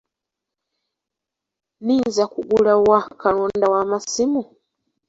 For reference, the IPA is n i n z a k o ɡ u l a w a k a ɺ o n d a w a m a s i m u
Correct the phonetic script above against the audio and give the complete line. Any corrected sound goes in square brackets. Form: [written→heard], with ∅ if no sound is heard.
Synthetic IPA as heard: n i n z a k [o→u] ɡ u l a w a k a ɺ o n d a w a m a s i m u